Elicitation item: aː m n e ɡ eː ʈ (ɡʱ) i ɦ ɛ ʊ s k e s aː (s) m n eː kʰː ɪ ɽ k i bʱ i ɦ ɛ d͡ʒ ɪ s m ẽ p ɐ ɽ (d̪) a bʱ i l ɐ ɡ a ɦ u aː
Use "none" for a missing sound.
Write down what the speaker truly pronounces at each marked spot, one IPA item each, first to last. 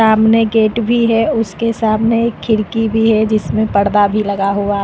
bʱ, none, d̪

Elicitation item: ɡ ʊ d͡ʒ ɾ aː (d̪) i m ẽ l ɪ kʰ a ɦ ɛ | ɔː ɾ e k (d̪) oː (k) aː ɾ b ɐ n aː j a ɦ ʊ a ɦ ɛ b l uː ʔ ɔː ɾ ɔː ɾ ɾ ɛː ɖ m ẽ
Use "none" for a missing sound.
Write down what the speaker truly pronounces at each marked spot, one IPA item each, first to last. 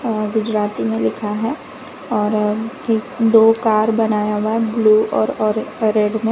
t̪, d̪, k

